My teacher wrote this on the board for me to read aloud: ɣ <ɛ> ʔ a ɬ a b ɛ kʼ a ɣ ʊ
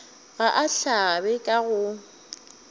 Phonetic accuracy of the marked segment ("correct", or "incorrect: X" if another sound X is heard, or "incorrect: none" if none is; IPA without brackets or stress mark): incorrect: a